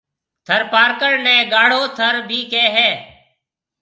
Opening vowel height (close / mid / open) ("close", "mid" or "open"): mid